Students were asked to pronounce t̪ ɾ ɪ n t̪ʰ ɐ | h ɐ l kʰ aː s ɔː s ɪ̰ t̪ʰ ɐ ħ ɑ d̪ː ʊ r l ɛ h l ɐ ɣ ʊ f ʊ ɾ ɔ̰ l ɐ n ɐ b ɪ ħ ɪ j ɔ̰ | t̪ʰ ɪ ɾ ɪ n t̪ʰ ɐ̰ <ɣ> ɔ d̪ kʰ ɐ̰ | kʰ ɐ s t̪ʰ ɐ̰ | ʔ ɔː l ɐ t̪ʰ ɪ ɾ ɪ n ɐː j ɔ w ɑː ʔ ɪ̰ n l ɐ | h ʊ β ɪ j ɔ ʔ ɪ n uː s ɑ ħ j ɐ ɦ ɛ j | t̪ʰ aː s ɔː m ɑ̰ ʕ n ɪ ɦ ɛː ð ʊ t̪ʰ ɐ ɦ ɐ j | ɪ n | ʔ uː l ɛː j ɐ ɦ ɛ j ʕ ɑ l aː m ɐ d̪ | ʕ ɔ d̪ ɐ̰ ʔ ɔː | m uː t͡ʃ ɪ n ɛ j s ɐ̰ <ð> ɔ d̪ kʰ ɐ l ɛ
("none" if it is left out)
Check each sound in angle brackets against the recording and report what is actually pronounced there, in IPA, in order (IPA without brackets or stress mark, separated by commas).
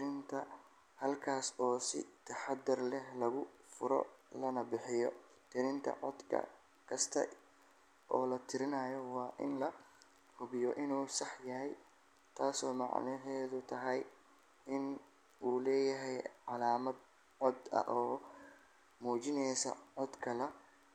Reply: ʕ, ʕ